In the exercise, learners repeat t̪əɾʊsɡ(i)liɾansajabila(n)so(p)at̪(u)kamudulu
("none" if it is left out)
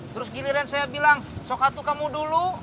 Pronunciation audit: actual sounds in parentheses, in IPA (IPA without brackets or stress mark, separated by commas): i, ŋ, k, u